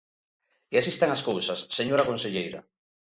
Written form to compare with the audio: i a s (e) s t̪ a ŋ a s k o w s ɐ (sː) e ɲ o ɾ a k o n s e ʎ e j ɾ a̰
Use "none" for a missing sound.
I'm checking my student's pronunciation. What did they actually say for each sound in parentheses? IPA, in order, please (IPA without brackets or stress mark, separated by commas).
i, sː